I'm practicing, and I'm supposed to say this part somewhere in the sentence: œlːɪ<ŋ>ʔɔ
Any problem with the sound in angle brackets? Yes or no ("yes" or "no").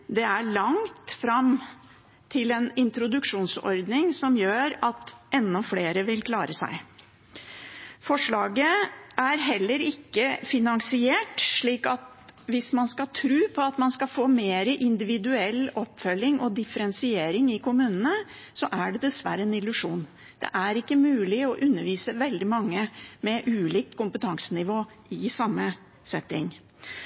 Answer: no